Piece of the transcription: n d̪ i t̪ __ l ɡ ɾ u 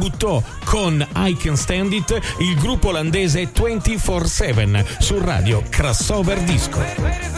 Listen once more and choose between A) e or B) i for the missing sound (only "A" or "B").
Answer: B